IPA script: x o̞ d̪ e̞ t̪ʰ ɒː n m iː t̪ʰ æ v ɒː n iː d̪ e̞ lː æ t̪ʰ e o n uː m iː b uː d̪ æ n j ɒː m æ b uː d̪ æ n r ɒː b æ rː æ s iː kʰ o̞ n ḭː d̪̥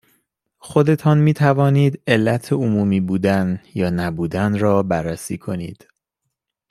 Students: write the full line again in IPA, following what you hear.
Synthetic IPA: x o̞ d̪ e̞ t̪ʰ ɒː n m iː t̪ʰ æ v ɒː n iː d̪ e̞ lː æ t̪ʰ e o m uː m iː b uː d̪ æ n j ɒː n æ b uː d̪ æ n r ɒː b æ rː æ s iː kʰ o̞ n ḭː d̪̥